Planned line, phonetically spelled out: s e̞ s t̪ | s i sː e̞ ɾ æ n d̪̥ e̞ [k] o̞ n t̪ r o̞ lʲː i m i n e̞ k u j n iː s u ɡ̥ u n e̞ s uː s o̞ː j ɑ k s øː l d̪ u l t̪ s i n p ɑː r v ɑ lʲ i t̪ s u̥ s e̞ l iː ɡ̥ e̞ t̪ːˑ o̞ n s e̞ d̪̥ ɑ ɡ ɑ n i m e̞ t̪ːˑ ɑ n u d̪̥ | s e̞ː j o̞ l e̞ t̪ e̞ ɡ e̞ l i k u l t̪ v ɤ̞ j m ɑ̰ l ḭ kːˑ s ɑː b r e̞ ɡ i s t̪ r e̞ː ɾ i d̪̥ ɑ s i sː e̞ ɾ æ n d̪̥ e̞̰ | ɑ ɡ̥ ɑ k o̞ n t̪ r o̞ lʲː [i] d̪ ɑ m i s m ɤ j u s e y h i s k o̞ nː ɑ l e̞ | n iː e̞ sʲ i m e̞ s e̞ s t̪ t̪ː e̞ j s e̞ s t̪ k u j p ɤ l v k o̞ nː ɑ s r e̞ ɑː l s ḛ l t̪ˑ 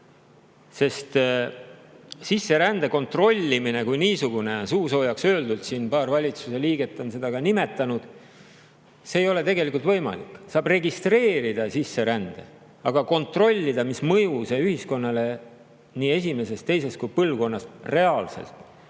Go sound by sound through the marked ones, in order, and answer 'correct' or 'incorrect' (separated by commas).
correct, correct